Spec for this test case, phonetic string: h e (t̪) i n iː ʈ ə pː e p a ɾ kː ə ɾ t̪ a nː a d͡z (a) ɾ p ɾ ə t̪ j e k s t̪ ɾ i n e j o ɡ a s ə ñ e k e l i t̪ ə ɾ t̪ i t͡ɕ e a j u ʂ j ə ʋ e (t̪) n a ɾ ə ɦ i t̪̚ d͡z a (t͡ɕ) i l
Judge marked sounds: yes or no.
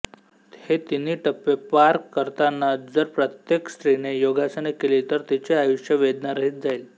yes, no, no, no

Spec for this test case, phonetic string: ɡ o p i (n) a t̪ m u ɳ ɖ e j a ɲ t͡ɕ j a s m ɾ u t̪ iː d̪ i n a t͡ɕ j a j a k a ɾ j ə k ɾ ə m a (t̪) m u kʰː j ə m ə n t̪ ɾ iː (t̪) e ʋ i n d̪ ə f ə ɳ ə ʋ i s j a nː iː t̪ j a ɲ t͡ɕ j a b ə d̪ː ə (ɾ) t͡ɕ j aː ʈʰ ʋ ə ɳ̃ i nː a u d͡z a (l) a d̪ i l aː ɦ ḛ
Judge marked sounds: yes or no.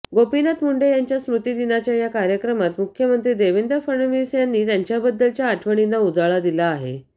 yes, yes, no, no, no

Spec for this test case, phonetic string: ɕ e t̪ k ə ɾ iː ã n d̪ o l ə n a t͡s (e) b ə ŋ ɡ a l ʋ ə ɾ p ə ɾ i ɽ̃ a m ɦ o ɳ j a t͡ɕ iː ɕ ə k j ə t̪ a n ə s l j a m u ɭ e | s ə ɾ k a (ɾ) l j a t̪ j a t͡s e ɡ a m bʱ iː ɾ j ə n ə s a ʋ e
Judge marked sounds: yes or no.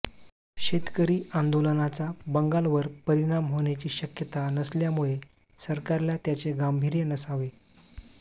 no, yes

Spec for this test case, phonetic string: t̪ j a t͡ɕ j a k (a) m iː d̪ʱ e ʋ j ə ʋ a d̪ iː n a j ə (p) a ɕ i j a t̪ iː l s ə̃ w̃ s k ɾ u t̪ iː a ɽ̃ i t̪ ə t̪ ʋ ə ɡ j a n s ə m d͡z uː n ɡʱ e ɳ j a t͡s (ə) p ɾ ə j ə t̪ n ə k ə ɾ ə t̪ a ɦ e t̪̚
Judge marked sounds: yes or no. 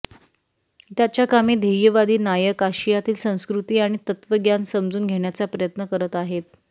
yes, no, no

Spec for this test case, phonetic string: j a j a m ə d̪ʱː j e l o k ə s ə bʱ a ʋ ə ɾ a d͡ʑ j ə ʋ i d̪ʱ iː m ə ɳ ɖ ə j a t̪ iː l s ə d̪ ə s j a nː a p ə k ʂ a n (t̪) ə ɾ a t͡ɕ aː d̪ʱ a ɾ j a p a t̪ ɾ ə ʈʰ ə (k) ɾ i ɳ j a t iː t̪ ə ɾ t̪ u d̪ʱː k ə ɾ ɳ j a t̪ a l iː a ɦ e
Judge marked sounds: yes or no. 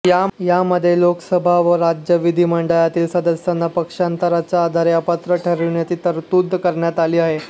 yes, no

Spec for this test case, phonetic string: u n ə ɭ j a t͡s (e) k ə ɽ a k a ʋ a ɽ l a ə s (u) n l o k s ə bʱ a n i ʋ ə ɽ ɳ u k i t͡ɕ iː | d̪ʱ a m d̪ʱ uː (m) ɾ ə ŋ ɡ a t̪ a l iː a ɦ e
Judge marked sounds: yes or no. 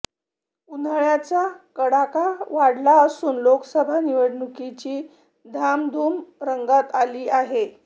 no, no, yes

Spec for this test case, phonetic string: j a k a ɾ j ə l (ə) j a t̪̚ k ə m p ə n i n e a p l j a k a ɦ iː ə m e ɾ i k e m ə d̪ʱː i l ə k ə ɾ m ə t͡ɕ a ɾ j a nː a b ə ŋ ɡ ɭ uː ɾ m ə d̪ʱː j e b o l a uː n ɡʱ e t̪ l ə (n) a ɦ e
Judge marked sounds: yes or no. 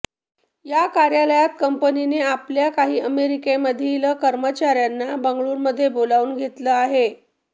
yes, no

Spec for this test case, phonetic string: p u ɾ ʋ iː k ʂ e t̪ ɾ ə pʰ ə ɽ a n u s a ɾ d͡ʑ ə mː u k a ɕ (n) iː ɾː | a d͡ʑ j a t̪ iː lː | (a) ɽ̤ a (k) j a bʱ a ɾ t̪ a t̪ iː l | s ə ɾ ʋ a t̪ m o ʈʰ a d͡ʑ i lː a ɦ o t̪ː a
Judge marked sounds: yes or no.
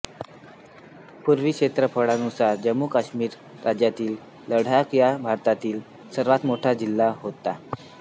no, no, yes

